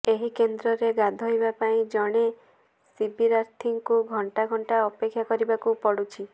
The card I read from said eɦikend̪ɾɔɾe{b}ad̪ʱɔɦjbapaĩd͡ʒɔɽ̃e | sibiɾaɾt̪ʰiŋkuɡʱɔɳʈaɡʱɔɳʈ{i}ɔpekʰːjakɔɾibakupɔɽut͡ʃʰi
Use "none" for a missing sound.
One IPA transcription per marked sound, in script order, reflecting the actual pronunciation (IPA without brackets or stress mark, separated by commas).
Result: ɡ, a